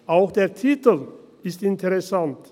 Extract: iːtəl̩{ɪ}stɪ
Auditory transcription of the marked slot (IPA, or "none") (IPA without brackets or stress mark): ɪ